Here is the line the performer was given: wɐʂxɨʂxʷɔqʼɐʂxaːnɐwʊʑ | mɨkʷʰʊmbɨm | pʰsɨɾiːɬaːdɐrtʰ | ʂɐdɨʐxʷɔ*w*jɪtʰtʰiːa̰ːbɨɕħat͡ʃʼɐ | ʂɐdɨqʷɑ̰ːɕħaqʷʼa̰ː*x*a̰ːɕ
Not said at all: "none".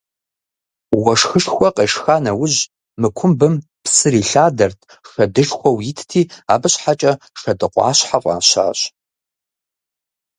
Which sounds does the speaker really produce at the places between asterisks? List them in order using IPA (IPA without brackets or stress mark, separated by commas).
w, ɕ